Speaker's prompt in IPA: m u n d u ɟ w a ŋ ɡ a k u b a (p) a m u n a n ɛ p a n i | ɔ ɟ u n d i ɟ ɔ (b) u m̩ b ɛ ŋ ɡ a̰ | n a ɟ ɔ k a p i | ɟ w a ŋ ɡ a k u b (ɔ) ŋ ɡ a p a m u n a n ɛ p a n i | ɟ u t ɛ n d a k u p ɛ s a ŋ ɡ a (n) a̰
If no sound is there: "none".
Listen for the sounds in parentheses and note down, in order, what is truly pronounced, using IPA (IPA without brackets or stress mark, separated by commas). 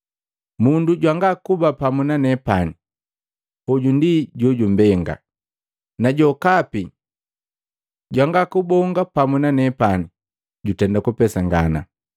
p, ɟ, ɔ, n